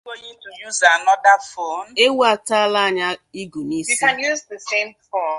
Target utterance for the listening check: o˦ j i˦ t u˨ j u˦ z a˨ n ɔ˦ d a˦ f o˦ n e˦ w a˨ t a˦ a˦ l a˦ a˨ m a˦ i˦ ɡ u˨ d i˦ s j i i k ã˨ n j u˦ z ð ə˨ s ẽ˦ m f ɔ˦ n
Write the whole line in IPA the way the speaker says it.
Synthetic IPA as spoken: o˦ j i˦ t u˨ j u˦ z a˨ n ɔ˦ d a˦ f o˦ n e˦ w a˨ t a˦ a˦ l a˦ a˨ ɲ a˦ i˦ ɡ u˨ n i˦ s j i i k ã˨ n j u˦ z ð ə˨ s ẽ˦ m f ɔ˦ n